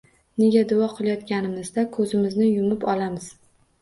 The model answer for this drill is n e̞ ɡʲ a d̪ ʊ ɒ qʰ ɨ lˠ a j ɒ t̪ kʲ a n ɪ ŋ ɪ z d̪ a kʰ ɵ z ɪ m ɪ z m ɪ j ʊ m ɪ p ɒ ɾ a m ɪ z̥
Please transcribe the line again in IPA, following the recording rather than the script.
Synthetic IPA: n e̞ ɡʲ a d̪ ʊ ɒ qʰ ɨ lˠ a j ɒ t̪ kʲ a n ɪ m ɪ z d̪ a kʰ ɵ z ɪ m ɪ z n ɪ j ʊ m ɪ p ɒ l a m ɪ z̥